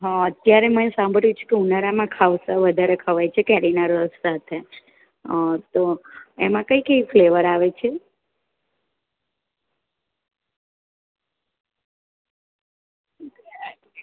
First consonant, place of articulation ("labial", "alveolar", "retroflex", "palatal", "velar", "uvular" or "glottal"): glottal